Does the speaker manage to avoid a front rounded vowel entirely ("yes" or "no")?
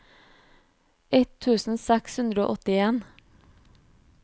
yes